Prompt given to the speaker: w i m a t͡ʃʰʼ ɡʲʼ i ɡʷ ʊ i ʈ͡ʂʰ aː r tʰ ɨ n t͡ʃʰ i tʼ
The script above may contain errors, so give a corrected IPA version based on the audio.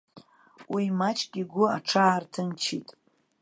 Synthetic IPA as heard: w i m a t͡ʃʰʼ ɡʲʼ i ɡʷ ʊ a ʈ͡ʂʰ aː r tʰ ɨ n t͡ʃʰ i tʼ